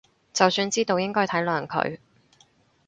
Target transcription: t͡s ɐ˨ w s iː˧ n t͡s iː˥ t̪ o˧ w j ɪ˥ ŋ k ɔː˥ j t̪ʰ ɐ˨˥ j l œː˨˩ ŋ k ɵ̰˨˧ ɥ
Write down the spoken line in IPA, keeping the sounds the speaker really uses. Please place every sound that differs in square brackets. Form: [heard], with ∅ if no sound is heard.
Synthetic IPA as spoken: t͡s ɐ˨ w s [yː˧] n t͡s iː˥ t̪ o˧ w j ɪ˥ ŋ k ɔː˥ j t̪ʰ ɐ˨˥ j l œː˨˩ ŋ [kʰ] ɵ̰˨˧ ɥ